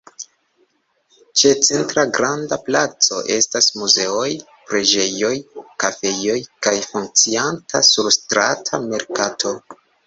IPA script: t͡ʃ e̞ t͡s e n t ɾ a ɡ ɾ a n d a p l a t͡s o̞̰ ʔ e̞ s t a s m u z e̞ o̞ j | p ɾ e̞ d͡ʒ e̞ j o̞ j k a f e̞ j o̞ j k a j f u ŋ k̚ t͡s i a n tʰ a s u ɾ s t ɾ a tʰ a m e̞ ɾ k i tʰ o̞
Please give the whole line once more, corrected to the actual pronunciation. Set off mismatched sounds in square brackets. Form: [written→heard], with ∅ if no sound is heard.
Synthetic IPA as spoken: t͡ʃ e̞ t͡s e n t ɾ a ɡ ɾ a n d a p l a t͡s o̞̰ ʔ e̞ s t a s m u z e̞ o̞ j | p ɾ e̞ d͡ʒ e̞ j o̞ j k a f e̞ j o̞ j k a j f u ŋ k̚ t͡s i a n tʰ a s u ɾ s t ɾ a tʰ a m e̞ ɾ k [i→a] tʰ o̞